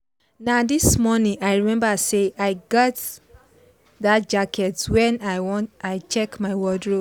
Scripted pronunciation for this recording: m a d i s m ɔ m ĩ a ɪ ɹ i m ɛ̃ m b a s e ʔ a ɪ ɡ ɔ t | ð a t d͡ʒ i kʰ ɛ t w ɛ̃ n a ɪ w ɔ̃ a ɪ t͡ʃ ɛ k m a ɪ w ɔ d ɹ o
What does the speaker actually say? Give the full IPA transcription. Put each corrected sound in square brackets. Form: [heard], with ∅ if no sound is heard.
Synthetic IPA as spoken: [n] a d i s m ɔ [n] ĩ a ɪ ɹ i m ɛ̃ m b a s e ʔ a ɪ ɡ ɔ t | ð a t d͡ʒ [a] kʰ ɛ t w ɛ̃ n a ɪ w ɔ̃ a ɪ t͡ʃ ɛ k m a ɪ w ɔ d ɹ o